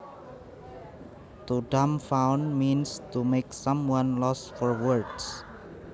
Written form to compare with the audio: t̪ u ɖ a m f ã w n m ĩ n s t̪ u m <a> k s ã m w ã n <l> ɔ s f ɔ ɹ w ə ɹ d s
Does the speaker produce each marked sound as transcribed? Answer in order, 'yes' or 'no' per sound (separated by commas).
no, yes